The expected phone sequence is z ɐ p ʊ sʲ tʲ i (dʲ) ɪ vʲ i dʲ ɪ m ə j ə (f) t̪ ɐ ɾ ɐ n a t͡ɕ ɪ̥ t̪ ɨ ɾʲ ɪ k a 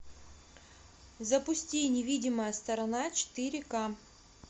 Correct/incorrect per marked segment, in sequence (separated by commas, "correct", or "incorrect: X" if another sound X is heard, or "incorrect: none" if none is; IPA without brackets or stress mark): incorrect: nʲ, incorrect: s